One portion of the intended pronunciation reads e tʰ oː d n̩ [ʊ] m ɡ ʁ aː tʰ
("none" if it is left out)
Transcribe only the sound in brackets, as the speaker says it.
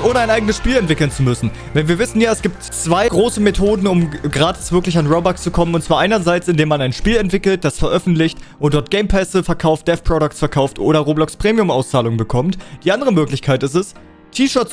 ʊ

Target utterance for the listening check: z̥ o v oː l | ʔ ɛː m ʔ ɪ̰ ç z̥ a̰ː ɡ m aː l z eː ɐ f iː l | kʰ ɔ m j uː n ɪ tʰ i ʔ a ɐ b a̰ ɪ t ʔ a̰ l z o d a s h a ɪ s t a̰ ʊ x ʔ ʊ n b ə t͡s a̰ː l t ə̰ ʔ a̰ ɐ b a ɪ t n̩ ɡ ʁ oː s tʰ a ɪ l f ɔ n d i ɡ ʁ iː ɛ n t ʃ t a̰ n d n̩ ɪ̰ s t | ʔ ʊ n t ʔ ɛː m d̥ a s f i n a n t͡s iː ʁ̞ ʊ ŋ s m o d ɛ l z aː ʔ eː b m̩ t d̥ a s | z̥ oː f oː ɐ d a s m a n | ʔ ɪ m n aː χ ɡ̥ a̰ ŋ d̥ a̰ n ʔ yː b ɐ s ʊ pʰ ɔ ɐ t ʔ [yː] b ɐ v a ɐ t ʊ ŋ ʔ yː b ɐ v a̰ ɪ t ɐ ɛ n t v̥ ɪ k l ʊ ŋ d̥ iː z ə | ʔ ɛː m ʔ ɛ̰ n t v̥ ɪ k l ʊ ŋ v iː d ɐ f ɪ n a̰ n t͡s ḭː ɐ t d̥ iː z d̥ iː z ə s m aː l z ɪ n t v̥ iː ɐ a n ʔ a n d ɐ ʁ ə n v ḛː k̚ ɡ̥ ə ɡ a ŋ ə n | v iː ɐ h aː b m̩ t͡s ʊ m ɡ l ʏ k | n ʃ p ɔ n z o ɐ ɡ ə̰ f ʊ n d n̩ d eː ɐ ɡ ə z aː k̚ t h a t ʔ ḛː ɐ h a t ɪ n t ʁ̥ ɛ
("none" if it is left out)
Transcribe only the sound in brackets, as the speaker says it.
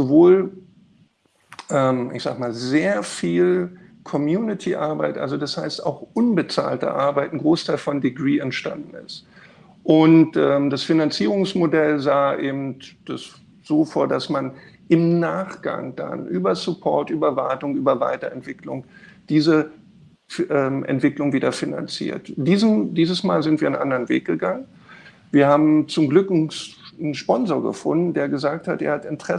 yː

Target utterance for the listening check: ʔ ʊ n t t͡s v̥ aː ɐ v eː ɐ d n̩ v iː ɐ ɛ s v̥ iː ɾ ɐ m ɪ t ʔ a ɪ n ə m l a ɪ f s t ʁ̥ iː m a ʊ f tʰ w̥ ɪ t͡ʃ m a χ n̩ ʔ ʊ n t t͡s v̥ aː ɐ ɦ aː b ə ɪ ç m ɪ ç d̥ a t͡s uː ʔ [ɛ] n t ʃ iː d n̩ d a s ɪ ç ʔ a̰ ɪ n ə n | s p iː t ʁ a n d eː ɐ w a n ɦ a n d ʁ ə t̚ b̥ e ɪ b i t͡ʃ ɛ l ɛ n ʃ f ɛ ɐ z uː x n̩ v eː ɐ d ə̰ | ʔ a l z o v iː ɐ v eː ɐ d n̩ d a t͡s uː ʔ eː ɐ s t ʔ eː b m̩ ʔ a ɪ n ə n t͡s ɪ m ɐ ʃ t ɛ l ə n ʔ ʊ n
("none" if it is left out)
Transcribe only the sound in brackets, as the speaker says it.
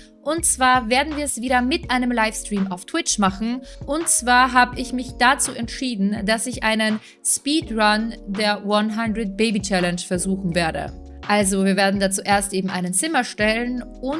ɛ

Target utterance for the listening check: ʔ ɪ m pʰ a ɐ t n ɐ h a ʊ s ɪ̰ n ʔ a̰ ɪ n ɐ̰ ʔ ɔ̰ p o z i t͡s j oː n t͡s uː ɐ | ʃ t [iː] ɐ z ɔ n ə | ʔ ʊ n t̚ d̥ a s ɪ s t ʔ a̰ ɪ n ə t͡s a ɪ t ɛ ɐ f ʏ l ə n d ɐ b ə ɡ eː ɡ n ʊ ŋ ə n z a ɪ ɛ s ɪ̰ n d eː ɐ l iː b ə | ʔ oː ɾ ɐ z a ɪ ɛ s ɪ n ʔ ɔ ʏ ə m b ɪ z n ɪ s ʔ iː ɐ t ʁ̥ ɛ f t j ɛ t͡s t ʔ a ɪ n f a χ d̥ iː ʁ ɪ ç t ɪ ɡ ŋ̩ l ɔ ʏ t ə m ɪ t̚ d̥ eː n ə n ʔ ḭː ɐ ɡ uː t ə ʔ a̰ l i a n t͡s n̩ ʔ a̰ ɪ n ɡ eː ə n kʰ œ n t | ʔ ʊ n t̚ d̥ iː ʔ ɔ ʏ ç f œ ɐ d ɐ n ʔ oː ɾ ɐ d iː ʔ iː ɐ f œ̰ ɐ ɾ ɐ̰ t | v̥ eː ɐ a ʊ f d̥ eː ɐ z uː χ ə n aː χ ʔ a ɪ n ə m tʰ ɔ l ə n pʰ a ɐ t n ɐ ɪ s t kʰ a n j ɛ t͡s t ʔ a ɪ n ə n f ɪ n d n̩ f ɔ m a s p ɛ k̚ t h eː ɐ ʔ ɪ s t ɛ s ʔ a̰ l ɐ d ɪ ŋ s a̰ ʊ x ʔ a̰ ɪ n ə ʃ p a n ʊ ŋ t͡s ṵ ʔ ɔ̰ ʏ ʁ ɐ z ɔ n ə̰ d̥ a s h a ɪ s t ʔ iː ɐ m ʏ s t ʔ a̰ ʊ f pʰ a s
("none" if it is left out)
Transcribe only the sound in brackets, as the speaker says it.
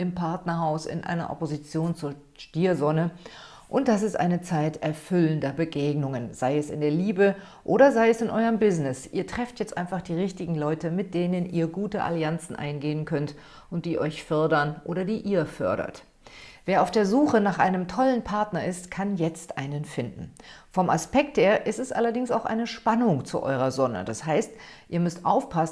iː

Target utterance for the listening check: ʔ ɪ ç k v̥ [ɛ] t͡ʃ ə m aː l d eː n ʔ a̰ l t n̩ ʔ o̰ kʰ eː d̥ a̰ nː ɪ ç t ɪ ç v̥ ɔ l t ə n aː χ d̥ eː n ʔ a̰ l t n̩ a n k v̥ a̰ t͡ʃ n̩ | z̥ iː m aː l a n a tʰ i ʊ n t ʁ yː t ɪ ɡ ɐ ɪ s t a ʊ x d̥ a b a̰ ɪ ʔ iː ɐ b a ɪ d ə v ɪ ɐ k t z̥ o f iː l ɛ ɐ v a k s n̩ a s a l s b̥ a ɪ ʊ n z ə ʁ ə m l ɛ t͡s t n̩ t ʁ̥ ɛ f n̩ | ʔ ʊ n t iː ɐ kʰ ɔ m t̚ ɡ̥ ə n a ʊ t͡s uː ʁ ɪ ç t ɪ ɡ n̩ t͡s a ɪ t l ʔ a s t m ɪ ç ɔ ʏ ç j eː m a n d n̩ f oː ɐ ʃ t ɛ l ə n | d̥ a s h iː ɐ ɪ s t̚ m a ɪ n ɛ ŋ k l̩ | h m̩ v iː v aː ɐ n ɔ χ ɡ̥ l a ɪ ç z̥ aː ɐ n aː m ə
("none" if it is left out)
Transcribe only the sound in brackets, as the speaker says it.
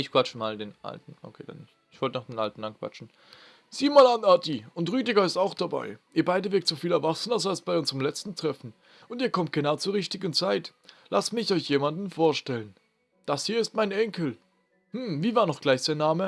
a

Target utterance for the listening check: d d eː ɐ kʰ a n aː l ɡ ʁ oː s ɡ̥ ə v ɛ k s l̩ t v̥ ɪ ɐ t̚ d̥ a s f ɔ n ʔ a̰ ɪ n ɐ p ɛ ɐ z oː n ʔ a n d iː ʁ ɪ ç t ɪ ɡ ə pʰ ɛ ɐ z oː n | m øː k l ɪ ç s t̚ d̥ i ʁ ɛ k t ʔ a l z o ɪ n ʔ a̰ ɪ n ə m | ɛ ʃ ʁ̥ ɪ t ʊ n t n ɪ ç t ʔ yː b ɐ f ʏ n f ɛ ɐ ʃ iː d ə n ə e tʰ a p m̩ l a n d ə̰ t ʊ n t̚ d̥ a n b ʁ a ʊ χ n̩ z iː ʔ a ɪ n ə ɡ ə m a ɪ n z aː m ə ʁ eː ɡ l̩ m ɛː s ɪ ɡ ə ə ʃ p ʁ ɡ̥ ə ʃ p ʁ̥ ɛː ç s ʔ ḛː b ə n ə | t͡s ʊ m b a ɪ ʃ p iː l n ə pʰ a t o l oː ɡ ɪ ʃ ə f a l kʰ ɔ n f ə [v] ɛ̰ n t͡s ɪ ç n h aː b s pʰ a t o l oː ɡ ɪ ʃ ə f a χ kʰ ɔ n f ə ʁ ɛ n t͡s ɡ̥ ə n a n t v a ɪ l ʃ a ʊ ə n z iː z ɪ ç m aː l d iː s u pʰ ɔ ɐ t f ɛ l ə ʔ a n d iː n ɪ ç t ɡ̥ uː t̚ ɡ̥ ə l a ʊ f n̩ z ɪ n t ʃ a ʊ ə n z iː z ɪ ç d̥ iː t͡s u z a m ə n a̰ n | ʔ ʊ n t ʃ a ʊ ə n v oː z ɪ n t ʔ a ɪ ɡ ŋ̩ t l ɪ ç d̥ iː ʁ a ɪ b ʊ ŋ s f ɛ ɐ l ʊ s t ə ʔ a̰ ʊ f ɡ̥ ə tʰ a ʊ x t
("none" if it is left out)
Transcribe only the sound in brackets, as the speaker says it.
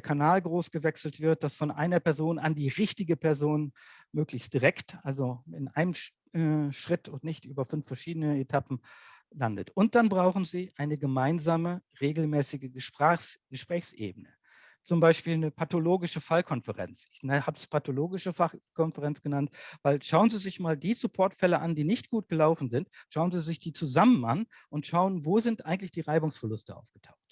ʁ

